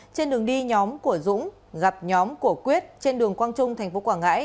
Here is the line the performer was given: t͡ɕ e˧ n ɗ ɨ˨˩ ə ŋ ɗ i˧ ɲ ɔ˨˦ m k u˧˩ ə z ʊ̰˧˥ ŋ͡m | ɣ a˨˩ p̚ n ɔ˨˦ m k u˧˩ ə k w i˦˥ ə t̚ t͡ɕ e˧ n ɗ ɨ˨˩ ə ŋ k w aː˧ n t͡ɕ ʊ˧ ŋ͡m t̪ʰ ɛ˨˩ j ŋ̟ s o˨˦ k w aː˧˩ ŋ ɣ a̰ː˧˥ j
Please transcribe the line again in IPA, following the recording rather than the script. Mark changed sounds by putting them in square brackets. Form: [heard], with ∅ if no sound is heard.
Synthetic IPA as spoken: t͡ɕ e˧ n ɗ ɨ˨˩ ə ŋ ɗ i˧ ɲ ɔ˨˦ m k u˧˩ ə z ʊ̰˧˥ ŋ͡m | ɣ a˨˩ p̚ [ɲ] ɔ˨˦ m k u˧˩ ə k w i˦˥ ə t̚ t͡ɕ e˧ n ɗ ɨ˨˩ ə ŋ k w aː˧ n t͡ɕ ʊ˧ ŋ͡m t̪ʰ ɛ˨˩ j ŋ̟ [f] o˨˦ k w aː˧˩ ŋ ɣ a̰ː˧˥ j